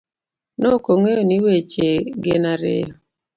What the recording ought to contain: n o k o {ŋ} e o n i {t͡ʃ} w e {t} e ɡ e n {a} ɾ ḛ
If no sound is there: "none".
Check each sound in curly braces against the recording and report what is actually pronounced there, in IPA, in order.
ŋ, none, t͡ʃ, a

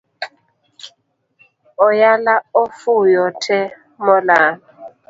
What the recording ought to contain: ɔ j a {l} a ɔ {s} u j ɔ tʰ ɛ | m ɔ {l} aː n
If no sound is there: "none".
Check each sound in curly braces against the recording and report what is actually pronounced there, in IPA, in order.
l, f, l

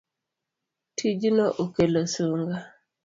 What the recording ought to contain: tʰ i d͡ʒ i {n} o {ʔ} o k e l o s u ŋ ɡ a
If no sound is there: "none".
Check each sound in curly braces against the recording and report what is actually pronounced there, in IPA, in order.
n, ʔ

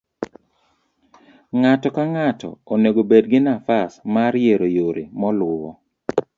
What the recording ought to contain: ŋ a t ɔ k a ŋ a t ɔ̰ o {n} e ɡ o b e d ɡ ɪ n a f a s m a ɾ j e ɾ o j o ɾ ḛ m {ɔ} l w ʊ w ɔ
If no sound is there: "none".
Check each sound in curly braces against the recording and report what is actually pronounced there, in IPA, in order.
n, ɔ

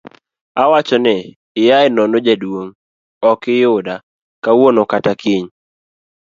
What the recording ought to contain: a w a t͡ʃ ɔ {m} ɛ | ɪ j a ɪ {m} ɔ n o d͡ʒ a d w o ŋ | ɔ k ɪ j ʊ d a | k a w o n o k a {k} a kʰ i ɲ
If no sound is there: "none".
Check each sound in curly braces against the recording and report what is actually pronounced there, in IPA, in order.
n, n, t

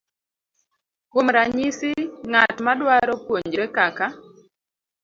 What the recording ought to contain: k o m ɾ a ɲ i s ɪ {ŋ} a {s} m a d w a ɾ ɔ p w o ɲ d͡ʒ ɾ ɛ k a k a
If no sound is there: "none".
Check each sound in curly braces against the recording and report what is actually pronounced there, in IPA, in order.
ŋ, t

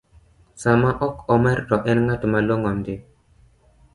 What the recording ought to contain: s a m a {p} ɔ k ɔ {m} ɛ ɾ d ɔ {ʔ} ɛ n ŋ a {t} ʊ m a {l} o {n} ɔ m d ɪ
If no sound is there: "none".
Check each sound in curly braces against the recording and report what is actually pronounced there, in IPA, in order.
ʔ, m, ʔ, t, l, ŋ

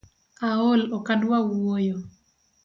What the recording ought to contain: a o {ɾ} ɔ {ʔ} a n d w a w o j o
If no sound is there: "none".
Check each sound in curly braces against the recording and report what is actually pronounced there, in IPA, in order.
l, k

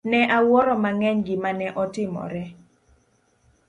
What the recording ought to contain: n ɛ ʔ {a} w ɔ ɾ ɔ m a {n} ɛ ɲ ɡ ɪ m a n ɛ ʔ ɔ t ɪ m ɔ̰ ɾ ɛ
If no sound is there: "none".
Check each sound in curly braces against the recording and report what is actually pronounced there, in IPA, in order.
a, ŋ

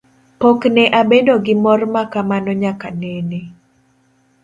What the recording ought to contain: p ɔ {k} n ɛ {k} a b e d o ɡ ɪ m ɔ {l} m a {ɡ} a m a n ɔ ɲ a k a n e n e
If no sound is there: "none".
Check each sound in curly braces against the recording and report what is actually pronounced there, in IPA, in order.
k, ʔ, r, k

